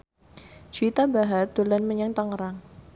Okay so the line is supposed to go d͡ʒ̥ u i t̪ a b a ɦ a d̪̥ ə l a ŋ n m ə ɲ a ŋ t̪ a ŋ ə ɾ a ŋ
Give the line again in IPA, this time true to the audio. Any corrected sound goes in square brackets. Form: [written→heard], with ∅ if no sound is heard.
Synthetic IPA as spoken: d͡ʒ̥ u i t̪ a b a ɦ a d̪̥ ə l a [ŋ→∅] n m ə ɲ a ŋ t̪ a ŋ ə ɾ a ŋ